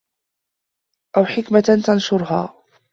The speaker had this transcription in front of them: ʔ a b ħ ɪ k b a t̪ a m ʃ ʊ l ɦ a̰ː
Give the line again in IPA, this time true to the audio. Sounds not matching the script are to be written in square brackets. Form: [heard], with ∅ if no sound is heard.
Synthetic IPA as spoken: ʔ a [w] ħ ɪ k [m] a t̪ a [n] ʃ ʊ [ɾ] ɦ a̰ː